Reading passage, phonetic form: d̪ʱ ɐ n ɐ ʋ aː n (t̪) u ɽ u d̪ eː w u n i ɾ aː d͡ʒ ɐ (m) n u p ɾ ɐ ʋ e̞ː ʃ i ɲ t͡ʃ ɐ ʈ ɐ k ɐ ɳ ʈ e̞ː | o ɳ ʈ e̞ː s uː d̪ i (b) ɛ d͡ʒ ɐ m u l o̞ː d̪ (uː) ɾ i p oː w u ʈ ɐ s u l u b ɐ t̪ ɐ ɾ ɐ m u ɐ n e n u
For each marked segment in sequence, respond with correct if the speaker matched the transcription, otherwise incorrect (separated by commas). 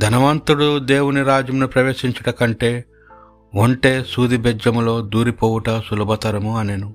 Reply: correct, correct, correct, correct